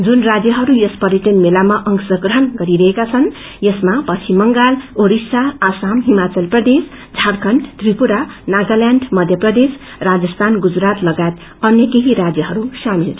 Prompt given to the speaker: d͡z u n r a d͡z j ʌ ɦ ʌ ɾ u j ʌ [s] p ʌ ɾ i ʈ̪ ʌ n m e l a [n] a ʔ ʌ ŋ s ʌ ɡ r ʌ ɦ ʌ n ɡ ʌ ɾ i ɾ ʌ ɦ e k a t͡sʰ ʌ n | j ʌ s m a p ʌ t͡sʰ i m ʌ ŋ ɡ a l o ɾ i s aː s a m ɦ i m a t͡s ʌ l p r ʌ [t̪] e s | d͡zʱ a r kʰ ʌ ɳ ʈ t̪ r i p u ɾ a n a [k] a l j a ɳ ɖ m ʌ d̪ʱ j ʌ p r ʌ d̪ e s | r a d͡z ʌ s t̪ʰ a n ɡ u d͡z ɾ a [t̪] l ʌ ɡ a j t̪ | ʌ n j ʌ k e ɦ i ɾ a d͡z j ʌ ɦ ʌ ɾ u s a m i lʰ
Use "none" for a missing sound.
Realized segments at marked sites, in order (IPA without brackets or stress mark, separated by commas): s, m, d̪, ɡ, t̪